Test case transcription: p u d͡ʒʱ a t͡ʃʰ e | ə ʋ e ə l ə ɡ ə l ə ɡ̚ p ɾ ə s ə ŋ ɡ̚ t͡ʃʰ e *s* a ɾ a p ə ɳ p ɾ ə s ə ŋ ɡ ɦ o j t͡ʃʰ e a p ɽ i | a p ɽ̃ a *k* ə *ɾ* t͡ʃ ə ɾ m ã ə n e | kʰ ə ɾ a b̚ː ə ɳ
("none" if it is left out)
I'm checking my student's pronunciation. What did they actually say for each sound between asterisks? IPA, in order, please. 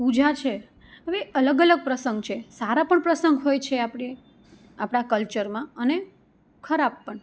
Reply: s, k, l

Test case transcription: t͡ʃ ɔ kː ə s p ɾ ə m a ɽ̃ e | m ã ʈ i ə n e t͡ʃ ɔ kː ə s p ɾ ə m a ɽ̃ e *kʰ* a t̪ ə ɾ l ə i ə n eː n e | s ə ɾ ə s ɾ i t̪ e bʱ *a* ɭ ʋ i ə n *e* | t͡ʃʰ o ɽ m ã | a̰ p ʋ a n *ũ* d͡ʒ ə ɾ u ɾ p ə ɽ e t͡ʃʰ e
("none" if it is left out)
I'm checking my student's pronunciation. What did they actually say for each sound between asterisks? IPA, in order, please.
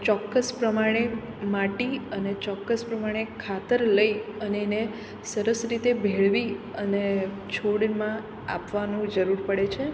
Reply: kʰ, e, e, ũ

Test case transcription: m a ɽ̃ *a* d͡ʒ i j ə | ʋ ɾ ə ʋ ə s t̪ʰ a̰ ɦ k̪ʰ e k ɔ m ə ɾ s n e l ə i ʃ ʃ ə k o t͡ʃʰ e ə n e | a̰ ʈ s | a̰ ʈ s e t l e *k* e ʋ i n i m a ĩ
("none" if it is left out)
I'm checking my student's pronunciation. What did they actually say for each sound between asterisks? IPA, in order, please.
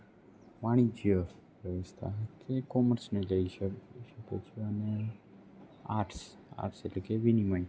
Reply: i, k

